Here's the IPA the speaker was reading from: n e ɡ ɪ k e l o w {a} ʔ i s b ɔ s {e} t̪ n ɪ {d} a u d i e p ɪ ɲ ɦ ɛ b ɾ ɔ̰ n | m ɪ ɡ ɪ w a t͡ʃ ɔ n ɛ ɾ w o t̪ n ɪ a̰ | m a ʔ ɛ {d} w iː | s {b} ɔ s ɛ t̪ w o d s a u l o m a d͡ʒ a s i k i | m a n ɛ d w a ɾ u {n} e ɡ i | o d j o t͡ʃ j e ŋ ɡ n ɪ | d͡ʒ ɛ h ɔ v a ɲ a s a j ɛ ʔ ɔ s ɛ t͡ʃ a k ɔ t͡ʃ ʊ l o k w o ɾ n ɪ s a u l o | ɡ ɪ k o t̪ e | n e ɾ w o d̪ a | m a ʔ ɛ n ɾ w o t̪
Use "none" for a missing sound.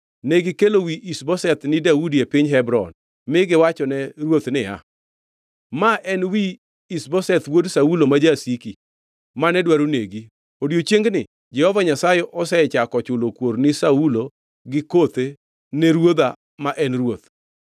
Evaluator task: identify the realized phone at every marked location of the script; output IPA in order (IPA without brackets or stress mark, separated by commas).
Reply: i, ɛ, d, n, b, n